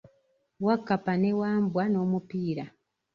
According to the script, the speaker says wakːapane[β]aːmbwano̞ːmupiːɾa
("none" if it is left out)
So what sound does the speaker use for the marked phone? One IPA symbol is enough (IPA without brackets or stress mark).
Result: w